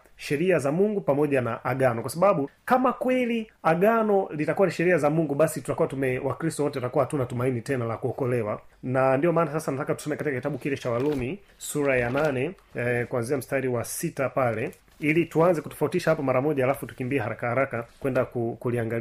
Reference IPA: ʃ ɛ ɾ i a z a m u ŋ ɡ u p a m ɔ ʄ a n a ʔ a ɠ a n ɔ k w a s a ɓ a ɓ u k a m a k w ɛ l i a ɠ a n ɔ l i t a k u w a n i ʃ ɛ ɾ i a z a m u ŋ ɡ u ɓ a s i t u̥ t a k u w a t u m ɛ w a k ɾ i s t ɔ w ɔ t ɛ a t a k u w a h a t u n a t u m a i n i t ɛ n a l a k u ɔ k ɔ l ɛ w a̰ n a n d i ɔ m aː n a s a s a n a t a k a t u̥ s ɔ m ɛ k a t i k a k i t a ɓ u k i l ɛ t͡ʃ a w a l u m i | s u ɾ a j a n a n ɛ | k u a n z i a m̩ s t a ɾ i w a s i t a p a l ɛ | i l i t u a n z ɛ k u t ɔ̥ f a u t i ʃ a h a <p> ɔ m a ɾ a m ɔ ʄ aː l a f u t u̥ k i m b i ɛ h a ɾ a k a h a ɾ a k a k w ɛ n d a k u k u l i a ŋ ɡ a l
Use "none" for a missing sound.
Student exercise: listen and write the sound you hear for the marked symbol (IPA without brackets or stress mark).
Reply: p